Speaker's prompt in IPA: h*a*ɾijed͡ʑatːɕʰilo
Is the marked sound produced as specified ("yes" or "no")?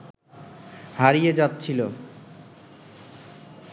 yes